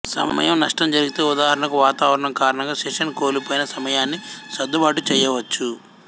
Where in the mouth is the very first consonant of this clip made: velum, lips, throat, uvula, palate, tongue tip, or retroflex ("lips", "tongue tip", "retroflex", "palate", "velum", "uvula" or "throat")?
tongue tip